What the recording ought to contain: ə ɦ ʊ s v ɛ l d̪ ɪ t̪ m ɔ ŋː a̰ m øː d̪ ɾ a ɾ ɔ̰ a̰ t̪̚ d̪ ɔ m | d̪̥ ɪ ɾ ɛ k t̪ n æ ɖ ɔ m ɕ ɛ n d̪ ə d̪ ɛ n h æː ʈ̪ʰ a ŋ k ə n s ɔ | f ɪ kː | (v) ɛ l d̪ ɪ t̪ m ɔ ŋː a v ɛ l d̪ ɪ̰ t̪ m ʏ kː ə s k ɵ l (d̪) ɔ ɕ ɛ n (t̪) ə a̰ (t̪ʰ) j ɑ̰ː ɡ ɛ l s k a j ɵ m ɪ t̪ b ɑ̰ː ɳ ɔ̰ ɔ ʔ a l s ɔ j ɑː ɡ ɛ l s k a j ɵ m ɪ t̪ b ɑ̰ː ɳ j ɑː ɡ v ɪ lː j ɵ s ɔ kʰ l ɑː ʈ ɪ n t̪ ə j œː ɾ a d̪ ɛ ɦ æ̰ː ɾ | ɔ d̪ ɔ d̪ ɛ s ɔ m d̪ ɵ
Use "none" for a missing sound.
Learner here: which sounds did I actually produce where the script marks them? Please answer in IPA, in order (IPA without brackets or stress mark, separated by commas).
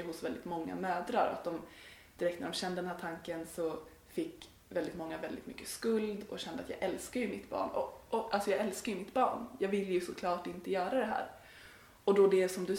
v, d̪, d̪, t̪